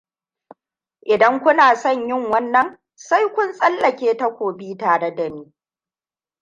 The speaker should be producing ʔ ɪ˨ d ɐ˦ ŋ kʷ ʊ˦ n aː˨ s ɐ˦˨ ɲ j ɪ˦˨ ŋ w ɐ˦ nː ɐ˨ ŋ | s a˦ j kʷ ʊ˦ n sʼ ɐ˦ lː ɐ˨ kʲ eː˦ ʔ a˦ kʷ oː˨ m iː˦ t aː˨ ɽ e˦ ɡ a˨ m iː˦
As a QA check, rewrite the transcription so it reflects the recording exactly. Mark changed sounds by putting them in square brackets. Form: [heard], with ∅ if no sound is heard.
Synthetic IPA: ʔ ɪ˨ d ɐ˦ ŋ kʷ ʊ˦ n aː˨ s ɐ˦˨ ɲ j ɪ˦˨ ŋ w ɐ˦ nː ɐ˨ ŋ | s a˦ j kʷ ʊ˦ n sʼ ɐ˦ lː ɐ˨ kʲ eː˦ [t] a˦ kʷ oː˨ [b] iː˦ t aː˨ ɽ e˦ [d] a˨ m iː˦